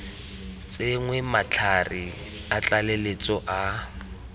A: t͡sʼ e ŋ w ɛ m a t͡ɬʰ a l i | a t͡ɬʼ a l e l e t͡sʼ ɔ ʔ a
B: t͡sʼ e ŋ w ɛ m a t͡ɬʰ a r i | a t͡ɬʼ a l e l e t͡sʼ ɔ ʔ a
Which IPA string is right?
B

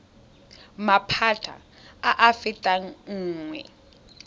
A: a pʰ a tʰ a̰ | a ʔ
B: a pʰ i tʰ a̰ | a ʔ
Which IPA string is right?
A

